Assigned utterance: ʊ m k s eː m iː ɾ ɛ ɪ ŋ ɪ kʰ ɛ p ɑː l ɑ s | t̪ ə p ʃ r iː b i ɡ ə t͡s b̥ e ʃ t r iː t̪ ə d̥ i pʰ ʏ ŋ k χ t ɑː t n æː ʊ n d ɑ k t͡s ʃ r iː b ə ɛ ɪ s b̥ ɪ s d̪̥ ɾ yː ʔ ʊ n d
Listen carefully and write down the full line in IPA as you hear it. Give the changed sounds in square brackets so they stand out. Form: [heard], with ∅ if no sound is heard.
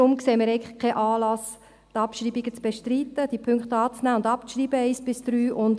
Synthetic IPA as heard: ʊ m k s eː m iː ɾ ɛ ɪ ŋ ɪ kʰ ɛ [ʔ] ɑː l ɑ s | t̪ [ɑ] p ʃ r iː b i ɡ ə t͡s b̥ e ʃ t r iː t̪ ə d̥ i pʰ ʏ ŋ k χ t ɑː [t͡s] n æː ʊ n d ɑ [p] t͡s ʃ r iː b ə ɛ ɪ s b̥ ɪ s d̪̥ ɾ yː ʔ ʊ n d